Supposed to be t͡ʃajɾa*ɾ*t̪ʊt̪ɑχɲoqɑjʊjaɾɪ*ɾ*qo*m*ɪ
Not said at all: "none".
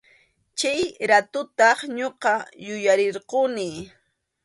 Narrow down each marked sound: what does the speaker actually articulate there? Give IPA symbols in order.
none, ɾ, n

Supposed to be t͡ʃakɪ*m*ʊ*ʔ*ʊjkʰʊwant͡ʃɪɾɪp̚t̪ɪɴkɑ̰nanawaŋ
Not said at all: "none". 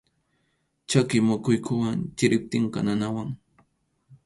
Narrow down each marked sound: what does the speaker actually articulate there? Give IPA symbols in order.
m, k

